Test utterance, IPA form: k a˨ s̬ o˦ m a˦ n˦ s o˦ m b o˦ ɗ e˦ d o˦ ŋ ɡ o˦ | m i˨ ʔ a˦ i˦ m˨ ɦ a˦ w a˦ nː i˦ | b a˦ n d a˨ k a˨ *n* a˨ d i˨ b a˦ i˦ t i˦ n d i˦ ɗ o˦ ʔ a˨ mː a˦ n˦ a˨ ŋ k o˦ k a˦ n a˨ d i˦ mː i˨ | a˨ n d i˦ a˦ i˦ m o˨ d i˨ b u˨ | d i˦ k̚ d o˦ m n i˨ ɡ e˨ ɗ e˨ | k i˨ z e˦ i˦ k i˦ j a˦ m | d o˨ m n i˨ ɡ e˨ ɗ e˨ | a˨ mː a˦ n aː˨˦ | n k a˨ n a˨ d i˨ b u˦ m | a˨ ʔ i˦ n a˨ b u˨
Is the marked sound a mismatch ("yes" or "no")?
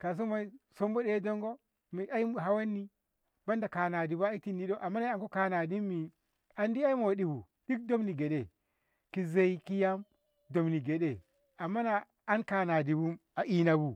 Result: no